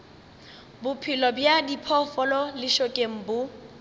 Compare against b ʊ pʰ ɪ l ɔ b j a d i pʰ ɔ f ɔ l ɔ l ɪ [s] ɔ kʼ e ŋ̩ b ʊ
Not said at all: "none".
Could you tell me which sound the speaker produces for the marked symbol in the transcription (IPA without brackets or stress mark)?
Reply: ʃ